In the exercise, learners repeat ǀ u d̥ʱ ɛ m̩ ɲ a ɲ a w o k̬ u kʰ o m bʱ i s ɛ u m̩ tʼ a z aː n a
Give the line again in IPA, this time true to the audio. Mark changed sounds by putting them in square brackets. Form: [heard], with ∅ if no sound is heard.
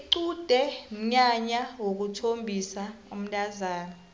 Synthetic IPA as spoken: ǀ u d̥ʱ ɛ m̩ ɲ a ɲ a w o k̬ u [tʰ] o m bʱ i s [a] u m̩ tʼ a z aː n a